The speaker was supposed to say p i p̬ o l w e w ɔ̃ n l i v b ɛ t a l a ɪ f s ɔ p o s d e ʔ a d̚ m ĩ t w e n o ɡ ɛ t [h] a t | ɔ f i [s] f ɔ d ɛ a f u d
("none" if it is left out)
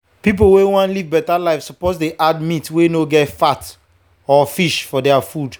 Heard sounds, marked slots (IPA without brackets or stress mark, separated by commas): f, ʃ